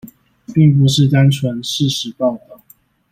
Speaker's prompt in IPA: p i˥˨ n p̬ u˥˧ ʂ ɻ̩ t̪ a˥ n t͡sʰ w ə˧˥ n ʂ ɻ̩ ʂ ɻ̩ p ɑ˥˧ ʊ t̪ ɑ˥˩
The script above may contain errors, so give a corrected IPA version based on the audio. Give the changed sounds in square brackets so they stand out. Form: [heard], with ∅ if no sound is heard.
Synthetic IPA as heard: p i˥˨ [ŋ] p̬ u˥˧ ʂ ɻ̩ t̪ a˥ n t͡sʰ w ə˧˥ n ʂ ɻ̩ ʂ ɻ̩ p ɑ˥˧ ʊ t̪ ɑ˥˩